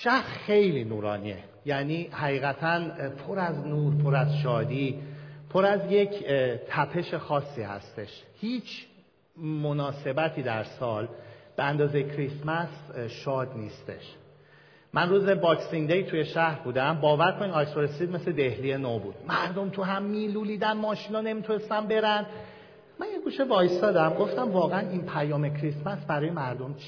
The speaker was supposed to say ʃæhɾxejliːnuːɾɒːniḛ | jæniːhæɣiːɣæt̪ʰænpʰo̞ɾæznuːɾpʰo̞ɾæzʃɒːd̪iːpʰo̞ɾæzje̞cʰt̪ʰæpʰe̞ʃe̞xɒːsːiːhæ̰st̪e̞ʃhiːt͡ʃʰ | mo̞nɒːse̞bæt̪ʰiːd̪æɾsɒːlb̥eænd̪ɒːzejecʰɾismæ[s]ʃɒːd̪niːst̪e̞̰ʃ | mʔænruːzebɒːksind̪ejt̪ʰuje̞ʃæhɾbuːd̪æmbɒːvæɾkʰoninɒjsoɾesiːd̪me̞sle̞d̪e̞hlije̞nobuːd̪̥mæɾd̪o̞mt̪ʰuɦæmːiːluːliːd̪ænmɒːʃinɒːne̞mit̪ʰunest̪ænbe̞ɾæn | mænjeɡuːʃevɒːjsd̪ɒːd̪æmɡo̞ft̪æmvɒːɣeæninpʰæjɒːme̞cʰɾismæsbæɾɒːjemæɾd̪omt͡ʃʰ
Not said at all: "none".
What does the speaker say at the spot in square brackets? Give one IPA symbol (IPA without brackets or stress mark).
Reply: s